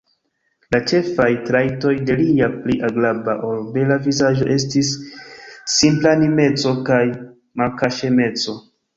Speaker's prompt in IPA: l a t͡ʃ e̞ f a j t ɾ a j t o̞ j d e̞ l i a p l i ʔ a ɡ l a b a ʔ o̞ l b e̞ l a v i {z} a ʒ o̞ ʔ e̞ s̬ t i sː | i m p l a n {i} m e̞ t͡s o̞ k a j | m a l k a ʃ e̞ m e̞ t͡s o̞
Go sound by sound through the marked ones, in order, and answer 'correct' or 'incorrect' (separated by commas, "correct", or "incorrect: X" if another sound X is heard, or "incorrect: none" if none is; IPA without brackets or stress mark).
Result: correct, correct